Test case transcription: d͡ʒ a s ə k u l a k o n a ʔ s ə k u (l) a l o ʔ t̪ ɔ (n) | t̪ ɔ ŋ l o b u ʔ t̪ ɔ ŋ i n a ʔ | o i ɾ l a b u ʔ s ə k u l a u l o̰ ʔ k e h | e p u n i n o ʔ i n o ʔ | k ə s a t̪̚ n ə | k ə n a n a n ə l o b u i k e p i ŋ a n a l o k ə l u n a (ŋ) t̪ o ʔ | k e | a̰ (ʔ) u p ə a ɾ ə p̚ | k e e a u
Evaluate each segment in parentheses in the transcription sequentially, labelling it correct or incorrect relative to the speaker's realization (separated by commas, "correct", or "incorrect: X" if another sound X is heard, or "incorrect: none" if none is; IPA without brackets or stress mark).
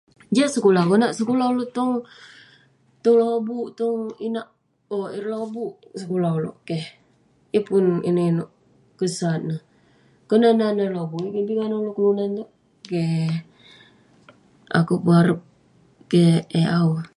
correct, incorrect: ŋ, incorrect: n, incorrect: k